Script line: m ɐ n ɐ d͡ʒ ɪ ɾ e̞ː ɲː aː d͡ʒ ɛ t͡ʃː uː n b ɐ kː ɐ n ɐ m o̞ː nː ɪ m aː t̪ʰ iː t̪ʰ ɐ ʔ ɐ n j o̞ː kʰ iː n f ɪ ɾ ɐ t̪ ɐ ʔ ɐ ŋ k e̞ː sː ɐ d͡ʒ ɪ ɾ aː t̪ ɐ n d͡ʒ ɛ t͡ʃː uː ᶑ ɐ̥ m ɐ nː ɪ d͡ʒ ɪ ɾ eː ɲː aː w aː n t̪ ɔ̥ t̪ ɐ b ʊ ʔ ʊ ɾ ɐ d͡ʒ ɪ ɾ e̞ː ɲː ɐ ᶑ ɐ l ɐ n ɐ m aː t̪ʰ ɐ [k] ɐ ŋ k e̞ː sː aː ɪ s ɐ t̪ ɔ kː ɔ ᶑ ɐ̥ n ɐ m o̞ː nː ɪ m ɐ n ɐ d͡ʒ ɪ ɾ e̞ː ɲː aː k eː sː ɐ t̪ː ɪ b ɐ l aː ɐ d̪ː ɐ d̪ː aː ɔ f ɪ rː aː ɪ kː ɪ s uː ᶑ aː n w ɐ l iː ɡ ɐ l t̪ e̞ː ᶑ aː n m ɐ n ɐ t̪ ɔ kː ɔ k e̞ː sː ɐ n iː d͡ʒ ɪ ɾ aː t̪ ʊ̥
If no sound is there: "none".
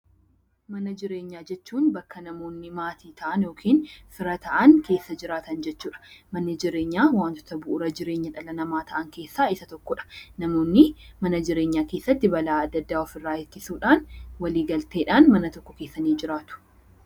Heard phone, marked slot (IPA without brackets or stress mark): ʔ